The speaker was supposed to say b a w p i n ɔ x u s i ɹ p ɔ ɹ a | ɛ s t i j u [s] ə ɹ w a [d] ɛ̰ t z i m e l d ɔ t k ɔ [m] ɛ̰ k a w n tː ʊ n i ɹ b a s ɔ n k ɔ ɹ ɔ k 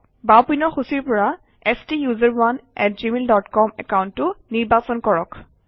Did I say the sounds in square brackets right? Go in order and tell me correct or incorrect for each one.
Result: incorrect, incorrect, correct

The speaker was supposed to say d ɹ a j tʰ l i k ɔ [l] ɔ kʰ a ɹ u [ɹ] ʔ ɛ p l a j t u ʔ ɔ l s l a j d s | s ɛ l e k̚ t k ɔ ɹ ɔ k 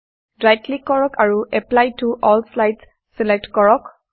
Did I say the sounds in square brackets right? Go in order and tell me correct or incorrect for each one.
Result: incorrect, incorrect

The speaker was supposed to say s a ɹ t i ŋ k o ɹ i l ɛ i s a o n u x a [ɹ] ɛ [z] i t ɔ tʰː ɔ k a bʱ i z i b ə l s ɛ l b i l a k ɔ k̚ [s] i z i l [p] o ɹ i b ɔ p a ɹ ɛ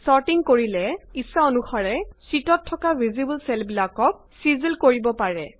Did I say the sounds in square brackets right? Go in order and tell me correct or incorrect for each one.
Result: correct, incorrect, correct, incorrect

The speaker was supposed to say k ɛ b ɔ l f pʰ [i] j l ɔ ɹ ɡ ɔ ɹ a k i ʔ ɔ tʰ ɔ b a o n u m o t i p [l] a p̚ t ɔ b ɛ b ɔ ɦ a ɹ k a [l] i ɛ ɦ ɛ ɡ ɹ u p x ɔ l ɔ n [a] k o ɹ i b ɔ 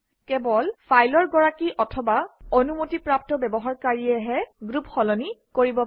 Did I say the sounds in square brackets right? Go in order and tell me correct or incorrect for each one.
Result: incorrect, incorrect, incorrect, incorrect

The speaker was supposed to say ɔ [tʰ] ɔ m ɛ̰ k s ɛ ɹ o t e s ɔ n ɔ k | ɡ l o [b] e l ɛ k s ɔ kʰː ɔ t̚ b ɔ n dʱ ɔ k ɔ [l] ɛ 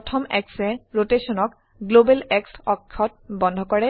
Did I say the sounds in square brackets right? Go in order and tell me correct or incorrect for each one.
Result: correct, correct, incorrect

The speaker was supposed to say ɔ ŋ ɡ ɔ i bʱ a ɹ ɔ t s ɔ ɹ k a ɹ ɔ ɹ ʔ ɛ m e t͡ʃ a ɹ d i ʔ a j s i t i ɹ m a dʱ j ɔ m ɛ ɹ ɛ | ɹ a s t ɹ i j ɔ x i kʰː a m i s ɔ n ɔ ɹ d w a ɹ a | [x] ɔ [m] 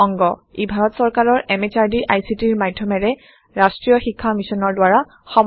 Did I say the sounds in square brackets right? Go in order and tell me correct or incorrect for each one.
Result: correct, correct

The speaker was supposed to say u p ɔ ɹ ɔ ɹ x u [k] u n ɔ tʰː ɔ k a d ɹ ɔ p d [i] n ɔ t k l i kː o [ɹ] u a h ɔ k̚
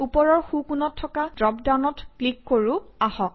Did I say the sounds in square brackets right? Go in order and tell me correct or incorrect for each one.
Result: correct, incorrect, correct

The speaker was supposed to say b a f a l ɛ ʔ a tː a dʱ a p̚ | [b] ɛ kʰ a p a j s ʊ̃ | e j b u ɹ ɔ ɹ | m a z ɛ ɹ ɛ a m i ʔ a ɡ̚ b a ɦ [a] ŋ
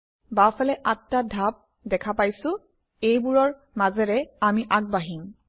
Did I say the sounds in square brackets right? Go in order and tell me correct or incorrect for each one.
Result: incorrect, incorrect

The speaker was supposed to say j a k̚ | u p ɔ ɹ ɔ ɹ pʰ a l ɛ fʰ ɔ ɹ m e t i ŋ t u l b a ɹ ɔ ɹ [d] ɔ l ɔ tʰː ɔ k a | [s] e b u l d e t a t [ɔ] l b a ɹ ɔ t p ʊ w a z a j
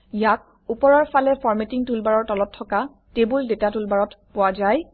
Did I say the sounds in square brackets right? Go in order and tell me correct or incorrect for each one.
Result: incorrect, incorrect, incorrect

